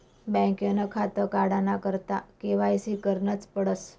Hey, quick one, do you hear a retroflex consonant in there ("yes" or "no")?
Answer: yes